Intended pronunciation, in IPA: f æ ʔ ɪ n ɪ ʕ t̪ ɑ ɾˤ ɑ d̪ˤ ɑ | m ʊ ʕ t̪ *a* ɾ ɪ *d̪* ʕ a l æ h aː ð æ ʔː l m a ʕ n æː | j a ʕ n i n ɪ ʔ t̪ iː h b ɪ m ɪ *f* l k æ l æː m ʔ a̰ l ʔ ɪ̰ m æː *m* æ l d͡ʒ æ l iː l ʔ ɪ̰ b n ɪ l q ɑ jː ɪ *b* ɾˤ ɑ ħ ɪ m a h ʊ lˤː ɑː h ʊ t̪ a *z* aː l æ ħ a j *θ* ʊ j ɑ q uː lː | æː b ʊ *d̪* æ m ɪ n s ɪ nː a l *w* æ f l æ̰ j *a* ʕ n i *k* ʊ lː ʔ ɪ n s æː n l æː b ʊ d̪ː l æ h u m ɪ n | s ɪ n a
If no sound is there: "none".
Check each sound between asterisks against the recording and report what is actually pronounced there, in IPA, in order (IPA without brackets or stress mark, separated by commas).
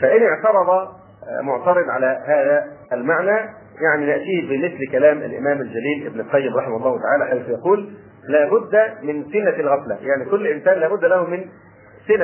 ɑ, d̪, θ, m, m, ʕ, θ, d̪ː, ɣ, a, k